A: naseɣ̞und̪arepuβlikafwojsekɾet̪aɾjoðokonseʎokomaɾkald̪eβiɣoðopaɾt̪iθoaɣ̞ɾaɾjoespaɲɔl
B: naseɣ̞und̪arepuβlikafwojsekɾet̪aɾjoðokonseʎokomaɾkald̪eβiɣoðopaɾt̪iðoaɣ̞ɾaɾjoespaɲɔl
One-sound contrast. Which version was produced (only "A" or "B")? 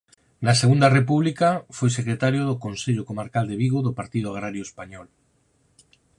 B